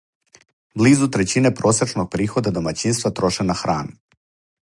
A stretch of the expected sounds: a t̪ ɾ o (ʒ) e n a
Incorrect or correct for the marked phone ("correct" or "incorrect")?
incorrect